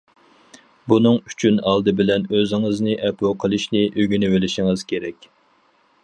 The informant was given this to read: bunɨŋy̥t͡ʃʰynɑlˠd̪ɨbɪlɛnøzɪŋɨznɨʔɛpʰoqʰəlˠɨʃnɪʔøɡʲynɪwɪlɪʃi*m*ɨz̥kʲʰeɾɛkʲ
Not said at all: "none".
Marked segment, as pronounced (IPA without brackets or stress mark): ŋ